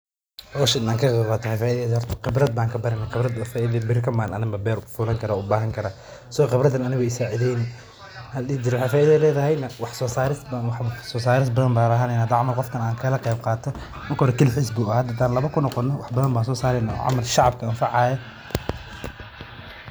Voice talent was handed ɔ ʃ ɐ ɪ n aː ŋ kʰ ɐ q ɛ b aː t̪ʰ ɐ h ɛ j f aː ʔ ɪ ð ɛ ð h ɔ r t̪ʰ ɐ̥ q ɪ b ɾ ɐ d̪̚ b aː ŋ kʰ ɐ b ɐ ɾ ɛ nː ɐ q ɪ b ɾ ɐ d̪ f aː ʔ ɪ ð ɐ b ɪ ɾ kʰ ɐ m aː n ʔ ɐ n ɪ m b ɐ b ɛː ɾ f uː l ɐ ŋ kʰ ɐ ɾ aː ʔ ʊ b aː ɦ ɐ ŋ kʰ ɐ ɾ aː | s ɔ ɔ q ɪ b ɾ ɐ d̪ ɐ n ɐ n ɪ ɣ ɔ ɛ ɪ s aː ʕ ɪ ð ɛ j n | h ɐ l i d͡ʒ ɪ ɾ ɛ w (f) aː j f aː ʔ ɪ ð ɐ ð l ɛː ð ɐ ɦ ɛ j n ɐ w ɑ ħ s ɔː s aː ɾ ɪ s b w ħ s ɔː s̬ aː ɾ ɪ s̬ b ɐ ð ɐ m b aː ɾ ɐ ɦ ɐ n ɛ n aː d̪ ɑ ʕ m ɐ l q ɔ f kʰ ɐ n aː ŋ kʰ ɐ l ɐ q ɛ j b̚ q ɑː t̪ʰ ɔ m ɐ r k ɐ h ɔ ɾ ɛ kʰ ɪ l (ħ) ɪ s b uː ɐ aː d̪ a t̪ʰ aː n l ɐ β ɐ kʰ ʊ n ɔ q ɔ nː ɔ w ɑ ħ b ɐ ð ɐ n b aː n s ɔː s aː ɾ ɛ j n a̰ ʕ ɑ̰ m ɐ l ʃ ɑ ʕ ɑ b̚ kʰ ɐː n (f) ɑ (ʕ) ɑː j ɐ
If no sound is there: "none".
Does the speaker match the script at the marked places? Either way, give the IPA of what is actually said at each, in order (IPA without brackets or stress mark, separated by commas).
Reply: ħ, ħ, f, ʕ